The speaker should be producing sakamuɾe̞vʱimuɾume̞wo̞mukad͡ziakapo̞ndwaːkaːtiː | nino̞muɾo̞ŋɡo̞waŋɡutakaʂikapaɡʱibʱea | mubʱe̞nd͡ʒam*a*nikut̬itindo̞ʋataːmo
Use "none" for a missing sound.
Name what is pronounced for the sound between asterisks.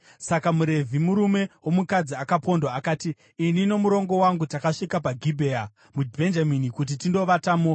i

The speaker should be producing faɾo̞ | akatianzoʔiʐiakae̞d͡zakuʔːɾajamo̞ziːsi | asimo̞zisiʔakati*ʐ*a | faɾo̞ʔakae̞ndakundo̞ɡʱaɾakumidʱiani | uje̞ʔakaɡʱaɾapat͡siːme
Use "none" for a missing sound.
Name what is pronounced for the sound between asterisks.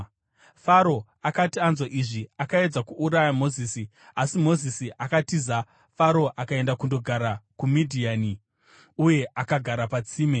z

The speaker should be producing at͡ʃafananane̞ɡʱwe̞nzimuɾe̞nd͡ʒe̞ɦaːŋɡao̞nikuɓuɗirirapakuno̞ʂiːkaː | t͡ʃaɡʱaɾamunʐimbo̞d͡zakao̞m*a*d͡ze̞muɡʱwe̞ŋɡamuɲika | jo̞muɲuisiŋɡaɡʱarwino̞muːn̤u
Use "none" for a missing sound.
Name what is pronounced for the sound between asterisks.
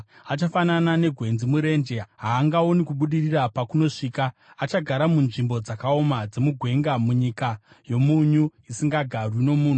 a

